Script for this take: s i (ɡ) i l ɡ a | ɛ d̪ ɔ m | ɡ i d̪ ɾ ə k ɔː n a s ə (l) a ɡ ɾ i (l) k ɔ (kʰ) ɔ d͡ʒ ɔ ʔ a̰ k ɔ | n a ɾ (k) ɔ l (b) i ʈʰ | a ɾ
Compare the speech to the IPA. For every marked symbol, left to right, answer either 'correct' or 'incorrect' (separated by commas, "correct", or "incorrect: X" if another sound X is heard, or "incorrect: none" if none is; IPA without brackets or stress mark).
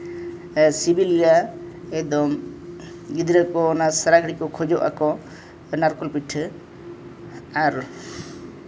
incorrect: b, incorrect: ɾ, incorrect: none, correct, correct, incorrect: p